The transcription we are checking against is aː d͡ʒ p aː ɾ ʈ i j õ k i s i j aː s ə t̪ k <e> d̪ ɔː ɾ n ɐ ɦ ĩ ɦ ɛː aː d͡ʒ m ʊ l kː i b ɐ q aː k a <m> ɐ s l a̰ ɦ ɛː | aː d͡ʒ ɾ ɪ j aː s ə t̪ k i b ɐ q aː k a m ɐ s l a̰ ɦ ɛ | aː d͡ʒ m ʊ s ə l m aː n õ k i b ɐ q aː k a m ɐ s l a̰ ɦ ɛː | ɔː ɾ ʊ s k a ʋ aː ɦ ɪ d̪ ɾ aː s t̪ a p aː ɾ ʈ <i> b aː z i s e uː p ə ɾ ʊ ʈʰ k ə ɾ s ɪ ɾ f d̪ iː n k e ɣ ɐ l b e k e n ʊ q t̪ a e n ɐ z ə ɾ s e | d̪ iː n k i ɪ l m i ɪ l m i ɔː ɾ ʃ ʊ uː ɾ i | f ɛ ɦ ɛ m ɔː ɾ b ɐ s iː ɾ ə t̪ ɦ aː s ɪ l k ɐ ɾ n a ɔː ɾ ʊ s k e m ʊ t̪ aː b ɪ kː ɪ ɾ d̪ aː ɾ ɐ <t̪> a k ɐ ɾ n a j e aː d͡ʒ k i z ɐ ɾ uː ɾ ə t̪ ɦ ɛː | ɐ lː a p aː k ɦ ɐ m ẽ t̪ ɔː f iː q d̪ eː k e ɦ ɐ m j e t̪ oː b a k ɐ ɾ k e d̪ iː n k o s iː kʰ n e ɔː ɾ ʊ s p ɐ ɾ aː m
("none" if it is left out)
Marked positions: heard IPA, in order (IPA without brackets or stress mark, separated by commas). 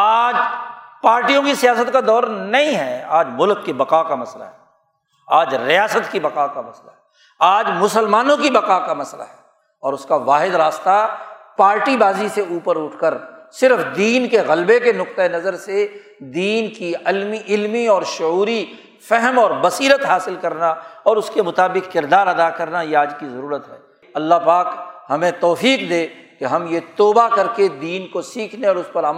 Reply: a, m, i, d̪